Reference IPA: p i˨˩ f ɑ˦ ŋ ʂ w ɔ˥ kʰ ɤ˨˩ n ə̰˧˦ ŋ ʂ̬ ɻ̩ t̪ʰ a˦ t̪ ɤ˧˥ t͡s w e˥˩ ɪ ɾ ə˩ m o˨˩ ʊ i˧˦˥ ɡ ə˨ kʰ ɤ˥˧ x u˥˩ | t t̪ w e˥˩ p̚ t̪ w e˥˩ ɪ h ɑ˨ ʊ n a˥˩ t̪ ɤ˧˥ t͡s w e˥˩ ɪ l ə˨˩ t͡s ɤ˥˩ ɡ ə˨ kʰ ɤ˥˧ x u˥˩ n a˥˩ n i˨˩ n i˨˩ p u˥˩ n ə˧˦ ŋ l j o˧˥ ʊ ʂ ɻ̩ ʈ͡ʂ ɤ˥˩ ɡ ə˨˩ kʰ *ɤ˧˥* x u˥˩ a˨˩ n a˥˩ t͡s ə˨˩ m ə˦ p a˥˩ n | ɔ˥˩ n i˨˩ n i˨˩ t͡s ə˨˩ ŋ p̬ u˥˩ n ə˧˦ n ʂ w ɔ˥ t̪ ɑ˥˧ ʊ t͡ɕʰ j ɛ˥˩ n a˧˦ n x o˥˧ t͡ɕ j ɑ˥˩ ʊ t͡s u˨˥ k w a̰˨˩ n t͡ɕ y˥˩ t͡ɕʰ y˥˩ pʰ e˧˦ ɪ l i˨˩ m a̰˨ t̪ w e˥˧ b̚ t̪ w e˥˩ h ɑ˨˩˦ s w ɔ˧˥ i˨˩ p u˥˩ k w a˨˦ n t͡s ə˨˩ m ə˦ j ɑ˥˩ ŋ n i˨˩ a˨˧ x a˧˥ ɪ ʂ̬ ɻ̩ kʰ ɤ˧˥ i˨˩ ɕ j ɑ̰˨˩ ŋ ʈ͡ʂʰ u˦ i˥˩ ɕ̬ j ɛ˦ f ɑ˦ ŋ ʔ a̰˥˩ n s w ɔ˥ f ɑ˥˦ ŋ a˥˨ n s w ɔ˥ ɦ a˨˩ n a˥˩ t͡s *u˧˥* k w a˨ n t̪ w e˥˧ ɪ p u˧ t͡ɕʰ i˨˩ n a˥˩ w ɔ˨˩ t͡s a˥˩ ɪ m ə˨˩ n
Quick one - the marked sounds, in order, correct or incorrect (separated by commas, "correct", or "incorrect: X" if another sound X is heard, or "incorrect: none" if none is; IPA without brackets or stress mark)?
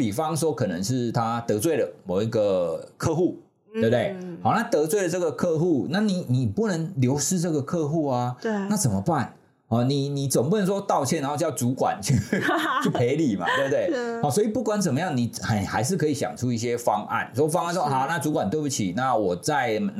incorrect: ɤ˥˧, correct